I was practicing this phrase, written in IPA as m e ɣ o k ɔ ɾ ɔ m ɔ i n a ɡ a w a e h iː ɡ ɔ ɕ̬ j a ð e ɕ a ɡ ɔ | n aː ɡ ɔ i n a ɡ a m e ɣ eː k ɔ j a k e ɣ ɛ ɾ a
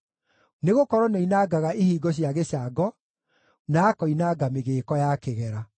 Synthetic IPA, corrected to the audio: n e ɣ o k ɔ ɾ ɔ n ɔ i n a ɡ a ɣ a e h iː ɡ ɔ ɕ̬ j a ɣ e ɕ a ɡ ɔ | n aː k ɔ i n a ɡ a m e ɣ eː k ɔ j a k e ɣ ɛ ɾ a